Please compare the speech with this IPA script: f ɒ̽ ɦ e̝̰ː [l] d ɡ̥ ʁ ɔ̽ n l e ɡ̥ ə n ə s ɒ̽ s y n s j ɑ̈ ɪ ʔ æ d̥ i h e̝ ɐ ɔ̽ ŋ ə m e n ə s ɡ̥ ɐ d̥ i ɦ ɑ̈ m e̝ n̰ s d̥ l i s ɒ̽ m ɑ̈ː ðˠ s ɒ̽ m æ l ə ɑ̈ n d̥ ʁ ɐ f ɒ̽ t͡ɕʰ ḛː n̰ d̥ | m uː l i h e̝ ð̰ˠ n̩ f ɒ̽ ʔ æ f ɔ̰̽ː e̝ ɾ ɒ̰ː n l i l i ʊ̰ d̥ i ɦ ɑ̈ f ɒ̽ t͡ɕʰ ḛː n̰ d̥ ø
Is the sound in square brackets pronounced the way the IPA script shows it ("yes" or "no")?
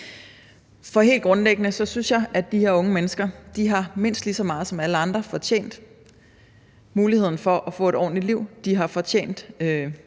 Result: yes